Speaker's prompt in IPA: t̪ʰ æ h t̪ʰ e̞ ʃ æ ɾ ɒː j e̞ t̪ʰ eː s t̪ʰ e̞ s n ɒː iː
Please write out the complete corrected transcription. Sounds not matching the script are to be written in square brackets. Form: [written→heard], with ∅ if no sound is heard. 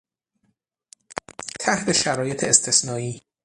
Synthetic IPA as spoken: t̪ʰ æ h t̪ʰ e̞ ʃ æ ɾ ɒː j e̞ t̪ʰ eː s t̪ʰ e̞ s n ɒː iː